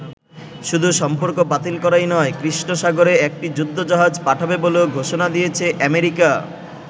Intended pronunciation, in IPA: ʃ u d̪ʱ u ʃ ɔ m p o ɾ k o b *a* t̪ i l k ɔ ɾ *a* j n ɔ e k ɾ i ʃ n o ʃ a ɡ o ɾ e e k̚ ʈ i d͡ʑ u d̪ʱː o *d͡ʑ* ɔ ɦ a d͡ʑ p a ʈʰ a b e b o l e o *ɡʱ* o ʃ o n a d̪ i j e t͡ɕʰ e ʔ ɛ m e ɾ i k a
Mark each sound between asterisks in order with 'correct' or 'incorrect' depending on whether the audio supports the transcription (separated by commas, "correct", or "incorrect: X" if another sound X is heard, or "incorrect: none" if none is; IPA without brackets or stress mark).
correct, correct, correct, correct